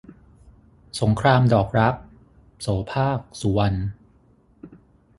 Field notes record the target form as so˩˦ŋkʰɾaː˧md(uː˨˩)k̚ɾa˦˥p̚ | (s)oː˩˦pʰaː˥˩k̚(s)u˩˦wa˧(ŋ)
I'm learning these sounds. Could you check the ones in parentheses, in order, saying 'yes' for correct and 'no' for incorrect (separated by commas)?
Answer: no, yes, yes, no